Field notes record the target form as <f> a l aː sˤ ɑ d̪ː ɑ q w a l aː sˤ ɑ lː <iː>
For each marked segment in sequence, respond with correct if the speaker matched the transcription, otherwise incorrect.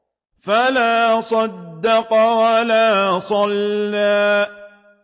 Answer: correct, incorrect: aː

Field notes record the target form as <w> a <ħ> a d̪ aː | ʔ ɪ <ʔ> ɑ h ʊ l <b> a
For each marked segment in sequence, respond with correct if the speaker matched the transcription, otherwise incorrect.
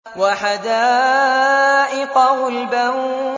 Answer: correct, correct, incorrect: q, correct

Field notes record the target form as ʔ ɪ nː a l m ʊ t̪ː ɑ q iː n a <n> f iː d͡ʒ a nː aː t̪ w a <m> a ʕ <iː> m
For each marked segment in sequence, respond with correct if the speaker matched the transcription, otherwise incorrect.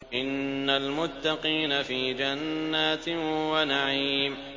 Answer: incorrect: none, incorrect: n, correct

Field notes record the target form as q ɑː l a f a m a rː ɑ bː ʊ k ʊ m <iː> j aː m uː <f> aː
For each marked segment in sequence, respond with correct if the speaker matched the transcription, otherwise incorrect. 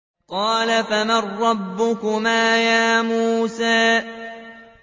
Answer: incorrect: aː, incorrect: s

